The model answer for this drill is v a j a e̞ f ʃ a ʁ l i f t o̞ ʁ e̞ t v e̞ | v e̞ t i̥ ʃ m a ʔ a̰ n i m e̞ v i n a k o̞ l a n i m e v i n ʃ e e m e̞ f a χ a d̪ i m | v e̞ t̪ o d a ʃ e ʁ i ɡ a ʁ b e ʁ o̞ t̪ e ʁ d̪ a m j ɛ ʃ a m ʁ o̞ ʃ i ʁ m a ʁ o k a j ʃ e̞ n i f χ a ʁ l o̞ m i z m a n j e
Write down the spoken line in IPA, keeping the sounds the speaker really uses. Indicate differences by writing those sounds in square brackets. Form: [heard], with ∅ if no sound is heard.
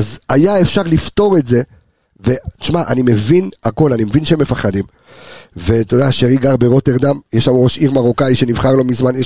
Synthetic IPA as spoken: [z] a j a e̞ f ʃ a ʁ l i f t o̞ ʁ e̞ t [z] e̞ | v e̞ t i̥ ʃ m a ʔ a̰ n i m e̞ v i n a k o̞ l a n i m e v i n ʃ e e m e̞ f a χ a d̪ i m | v e̞ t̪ o d a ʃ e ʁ i ɡ a ʁ b e ʁ o̞ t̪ e ʁ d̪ a m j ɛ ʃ a m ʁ o̞ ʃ i ʁ m a ʁ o k a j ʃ e̞ n i [v] χ a ʁ l o̞ m i z m a n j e